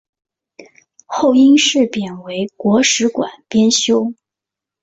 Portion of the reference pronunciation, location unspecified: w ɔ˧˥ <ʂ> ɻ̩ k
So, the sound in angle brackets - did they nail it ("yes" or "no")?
yes